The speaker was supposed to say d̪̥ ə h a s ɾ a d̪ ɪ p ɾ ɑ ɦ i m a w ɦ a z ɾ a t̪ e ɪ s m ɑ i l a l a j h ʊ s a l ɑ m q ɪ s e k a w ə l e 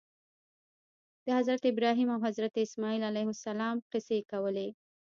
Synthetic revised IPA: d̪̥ ə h a z ɾ a t̪ ɪ b ɾ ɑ ɦ i m a w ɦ a z ɾ a t̪ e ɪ s m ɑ i l a l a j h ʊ s a l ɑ m q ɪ s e k a w ə l e